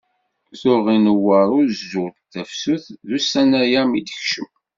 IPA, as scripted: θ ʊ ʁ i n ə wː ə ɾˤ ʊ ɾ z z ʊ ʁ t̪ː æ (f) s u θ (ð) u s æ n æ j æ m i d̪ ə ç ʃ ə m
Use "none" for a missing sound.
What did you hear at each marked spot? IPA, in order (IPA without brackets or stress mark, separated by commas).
f, ð